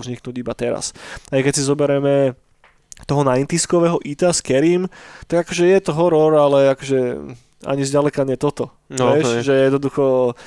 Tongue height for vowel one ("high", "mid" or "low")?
high